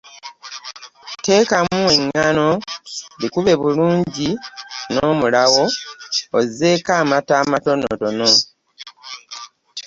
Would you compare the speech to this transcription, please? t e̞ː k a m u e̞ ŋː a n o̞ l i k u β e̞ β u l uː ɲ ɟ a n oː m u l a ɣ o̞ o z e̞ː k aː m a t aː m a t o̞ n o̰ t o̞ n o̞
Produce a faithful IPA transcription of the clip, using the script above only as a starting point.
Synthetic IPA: t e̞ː k a m u e̞ ŋː a n o̞ l i k u β e̞ β u l uː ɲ ɟ i n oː m u l a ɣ o̞ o z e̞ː k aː m a t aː m a t o̞ n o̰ t o̞ n o̞